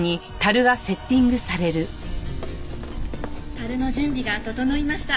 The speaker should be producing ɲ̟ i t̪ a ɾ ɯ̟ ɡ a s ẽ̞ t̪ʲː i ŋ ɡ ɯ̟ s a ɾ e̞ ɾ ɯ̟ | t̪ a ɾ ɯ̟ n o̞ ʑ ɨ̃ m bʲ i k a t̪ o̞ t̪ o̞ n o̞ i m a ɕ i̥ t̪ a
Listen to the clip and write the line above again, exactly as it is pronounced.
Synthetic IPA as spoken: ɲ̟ i t̪ a ɾ ɯ̟ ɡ a s e̞ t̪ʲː ĩ ŋ ɡ ɯ̟ s a ɾ e̞ ɾ ɯ̟ | t̪ a ɾ ɯ̟ n o̞ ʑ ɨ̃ m bʲ i ɡ a t̪ o̞ t̪ o̞ n o̞ i m a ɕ i̥ t̪ a